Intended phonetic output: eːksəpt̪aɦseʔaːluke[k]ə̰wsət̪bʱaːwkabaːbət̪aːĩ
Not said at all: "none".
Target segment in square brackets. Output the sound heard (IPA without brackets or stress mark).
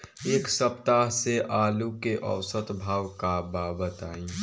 ʔ